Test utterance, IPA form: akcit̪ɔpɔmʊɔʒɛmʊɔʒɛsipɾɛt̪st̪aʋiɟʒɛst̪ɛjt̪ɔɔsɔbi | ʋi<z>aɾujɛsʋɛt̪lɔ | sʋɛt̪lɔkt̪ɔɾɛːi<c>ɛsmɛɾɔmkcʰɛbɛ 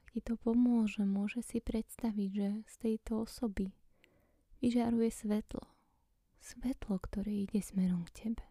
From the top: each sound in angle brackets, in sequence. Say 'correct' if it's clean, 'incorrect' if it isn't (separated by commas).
incorrect, incorrect